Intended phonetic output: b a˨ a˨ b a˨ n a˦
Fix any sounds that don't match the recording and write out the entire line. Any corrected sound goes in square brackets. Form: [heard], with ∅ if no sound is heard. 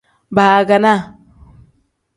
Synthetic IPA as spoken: b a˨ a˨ [ɡ] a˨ n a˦